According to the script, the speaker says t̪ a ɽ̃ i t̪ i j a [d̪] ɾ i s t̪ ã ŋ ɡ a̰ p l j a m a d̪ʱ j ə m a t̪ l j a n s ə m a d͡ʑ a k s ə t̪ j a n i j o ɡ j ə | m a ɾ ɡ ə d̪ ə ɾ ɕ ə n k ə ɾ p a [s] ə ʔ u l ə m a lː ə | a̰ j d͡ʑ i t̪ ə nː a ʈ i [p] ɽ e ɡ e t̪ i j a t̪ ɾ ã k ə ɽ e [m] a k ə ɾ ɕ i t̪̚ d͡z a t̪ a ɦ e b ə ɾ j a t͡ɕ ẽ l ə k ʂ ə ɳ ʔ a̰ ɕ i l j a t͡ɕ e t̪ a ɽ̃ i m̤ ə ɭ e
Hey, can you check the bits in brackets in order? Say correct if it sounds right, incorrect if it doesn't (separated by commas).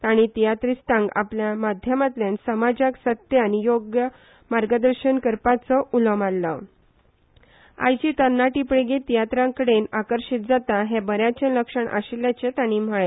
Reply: incorrect, incorrect, correct, incorrect